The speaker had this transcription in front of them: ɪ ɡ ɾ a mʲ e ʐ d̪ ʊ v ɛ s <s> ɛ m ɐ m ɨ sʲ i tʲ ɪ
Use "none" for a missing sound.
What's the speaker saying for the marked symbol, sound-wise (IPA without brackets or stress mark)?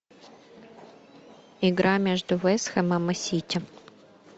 x